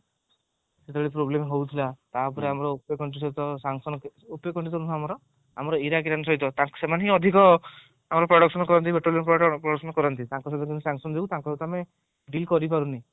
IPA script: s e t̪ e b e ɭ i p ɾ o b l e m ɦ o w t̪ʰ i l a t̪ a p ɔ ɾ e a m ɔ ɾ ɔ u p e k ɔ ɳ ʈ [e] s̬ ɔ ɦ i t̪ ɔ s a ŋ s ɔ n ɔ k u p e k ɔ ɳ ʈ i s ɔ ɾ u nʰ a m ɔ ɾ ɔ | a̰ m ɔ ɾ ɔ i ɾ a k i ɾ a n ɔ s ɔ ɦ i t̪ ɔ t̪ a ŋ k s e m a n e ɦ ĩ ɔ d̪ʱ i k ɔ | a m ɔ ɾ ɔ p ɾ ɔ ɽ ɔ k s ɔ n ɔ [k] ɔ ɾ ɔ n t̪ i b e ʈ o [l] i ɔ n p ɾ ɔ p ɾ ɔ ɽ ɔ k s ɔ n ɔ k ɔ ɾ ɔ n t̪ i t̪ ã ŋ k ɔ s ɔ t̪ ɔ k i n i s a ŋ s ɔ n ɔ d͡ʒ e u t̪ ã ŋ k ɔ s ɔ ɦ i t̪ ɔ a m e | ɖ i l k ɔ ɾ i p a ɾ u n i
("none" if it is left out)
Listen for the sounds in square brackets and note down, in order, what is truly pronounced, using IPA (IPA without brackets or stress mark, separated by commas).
i, k, l